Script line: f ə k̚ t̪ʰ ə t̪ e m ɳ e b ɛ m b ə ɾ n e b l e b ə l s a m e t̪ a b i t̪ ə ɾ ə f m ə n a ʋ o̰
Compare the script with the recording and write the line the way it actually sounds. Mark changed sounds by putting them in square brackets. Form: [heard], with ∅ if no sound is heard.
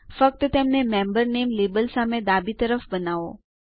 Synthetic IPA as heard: f ə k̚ [t̪] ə t̪ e m [n] e [m] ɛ m b ə ɾ n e [m] l e b ə l s a m e [d̪] a b i t̪ ə ɾ ə f [b] ə n a ʋ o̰